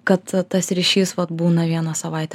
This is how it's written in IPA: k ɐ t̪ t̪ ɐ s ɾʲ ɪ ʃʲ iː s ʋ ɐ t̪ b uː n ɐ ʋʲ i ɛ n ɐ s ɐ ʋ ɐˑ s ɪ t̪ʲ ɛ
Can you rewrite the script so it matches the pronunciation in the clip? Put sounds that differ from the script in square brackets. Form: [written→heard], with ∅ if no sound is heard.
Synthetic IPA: k ɐ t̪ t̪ ɐ s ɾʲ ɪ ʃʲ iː s ʋ ɐ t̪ b uː n ɐ ʋʲ i ɛ n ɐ s ɐ ʋ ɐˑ [s→∅] ɪ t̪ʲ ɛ